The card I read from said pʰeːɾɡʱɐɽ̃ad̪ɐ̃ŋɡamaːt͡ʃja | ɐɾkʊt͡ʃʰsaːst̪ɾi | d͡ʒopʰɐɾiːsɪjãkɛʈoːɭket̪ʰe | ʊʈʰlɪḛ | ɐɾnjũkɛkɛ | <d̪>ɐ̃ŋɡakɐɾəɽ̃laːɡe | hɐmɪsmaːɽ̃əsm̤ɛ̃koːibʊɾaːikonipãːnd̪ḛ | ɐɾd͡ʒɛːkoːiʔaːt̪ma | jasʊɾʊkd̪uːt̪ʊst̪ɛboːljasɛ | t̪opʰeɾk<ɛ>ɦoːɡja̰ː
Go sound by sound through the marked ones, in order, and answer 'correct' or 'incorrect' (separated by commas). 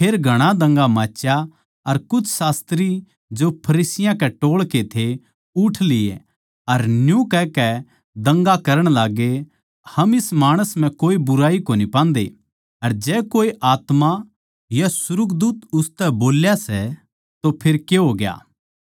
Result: correct, incorrect